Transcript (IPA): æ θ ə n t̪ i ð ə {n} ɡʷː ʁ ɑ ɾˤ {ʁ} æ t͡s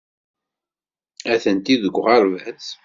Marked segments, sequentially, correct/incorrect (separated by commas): incorrect, incorrect